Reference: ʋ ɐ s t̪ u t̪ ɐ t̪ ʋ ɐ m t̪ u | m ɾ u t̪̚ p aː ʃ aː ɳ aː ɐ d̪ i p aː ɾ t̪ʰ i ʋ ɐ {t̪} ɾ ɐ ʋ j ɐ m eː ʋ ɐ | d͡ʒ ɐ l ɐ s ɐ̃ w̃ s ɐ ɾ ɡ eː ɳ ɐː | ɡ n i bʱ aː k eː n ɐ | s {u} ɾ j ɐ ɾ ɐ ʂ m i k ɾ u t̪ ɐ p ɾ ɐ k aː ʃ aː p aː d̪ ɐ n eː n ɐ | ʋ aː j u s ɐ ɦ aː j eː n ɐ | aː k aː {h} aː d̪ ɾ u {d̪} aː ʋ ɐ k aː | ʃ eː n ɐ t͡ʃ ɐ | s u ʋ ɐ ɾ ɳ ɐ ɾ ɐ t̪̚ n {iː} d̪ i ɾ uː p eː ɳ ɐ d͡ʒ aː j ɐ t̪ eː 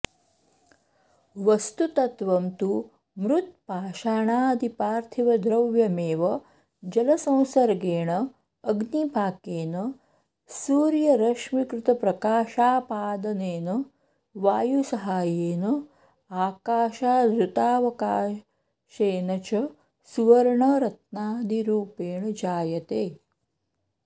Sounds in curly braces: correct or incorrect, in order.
incorrect, incorrect, incorrect, incorrect, incorrect

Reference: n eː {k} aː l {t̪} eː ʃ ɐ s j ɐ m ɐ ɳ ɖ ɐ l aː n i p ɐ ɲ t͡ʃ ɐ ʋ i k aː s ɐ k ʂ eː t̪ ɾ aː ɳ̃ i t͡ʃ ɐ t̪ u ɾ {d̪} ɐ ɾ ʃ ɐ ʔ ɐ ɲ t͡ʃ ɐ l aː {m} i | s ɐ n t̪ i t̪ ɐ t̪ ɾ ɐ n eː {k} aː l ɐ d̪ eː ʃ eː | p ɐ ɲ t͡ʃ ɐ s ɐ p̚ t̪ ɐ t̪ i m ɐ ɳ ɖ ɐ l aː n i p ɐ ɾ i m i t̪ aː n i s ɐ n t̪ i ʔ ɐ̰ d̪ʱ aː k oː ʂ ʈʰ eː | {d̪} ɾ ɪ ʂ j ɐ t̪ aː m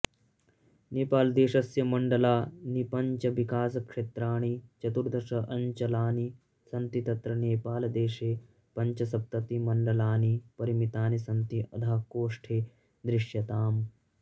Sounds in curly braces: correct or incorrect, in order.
incorrect, incorrect, correct, incorrect, incorrect, correct

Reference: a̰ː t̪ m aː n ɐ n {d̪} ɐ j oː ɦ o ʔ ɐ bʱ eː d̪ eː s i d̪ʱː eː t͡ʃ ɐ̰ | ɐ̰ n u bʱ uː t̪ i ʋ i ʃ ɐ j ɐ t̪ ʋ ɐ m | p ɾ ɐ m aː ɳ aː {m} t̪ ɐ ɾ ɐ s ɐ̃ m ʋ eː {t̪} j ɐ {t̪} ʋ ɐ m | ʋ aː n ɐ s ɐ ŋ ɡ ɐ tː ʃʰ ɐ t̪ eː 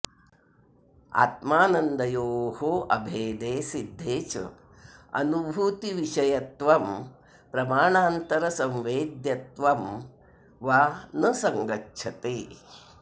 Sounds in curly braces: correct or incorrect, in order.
correct, incorrect, incorrect, correct

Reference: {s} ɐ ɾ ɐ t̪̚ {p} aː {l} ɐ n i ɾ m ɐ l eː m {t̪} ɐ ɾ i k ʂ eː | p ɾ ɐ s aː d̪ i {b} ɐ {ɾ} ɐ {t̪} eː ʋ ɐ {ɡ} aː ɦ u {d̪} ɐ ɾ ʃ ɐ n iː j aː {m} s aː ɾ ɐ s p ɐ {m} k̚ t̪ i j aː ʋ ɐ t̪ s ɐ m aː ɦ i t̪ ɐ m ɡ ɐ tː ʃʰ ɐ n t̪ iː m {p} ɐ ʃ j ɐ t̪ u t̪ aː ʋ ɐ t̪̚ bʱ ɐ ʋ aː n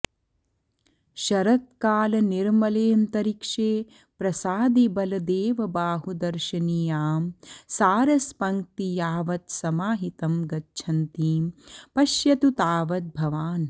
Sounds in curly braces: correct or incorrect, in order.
incorrect, incorrect, correct, correct, correct, incorrect, incorrect, incorrect, correct, correct, incorrect, correct

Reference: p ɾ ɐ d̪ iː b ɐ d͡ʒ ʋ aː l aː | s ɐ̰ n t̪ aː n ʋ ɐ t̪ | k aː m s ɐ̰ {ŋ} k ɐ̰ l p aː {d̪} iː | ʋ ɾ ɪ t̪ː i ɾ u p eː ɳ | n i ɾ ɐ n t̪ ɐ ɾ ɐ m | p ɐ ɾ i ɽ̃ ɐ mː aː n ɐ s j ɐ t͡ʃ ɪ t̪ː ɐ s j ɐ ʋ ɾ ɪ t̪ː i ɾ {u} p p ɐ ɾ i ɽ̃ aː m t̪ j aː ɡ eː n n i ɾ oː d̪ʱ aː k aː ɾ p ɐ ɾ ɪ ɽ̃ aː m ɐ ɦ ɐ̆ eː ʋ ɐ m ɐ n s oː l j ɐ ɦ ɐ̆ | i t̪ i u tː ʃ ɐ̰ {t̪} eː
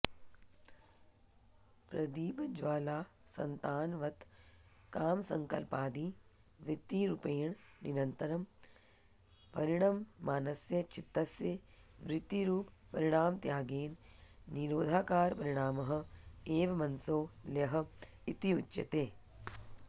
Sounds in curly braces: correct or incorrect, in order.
correct, correct, incorrect, correct

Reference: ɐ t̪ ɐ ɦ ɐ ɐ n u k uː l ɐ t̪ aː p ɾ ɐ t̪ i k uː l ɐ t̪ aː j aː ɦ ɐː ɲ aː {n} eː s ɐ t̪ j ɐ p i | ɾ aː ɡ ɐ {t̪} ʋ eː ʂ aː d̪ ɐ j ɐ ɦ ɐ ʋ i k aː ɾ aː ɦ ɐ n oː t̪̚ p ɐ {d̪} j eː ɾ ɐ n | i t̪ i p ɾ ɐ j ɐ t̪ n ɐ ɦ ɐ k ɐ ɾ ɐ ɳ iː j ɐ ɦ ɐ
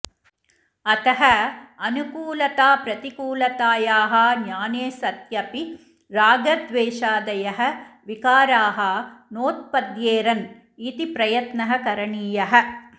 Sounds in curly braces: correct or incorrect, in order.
correct, incorrect, correct

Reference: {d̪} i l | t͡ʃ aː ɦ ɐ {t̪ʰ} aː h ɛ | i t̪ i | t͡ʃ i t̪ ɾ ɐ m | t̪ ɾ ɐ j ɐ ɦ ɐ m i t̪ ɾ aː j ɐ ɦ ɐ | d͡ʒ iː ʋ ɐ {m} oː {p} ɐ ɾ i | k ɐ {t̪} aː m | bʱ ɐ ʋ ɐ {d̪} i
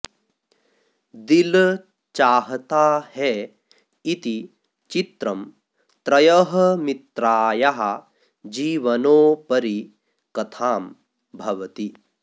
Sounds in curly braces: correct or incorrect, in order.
correct, incorrect, incorrect, correct, incorrect, incorrect

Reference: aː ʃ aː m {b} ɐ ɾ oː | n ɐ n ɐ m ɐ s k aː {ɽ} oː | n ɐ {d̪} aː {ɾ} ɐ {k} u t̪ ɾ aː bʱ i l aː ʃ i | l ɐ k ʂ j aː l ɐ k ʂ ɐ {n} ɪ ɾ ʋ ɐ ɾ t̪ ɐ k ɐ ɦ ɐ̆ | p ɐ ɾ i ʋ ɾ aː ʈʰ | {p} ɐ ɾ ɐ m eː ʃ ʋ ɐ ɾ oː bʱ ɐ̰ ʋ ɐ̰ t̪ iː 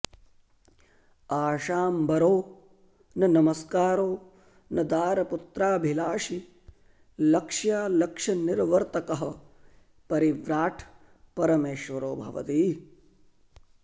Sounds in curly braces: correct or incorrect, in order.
correct, incorrect, correct, correct, incorrect, correct, correct

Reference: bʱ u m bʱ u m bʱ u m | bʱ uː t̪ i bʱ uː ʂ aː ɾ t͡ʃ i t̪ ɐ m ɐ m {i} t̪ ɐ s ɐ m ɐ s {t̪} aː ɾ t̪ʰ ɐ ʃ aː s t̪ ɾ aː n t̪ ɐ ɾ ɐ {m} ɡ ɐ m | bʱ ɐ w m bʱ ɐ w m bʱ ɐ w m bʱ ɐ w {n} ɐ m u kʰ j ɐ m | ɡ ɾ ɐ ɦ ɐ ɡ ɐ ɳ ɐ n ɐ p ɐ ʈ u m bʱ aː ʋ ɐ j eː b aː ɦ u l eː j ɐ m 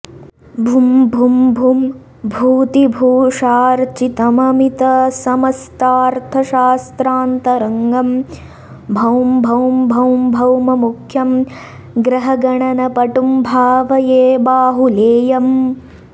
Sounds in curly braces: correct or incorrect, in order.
correct, correct, incorrect, incorrect

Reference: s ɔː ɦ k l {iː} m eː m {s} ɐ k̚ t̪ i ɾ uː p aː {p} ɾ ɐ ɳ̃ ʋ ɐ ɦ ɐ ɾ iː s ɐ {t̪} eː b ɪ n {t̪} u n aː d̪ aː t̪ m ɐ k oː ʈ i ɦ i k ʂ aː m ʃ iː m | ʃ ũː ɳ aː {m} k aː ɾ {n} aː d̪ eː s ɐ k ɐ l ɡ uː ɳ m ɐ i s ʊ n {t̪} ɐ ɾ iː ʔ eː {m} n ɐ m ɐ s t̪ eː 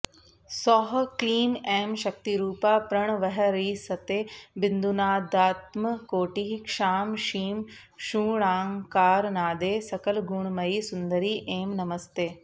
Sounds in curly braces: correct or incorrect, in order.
correct, incorrect, correct, correct, incorrect, incorrect, correct, incorrect, correct

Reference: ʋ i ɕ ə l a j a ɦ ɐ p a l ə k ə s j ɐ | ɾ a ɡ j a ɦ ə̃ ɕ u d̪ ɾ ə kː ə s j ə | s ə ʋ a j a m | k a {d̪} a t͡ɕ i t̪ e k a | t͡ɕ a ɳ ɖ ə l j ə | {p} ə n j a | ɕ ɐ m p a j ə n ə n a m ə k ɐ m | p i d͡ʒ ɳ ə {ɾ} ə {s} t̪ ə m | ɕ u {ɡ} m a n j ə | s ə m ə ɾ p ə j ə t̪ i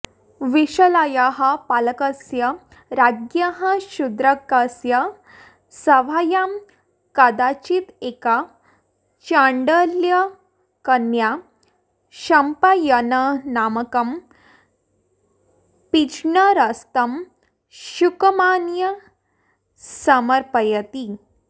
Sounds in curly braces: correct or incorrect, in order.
correct, incorrect, correct, correct, incorrect

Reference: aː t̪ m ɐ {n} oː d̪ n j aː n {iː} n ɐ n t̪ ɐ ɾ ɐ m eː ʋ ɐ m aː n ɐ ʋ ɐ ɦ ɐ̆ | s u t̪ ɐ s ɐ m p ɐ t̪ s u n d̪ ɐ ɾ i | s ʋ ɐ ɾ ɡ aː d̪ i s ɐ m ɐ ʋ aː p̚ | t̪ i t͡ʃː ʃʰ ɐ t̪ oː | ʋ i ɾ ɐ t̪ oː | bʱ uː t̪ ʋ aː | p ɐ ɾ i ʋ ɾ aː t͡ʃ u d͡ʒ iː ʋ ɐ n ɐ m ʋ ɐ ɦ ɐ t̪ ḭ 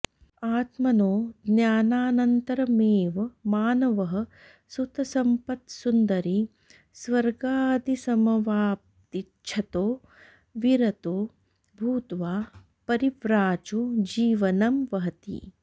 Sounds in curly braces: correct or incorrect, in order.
correct, incorrect

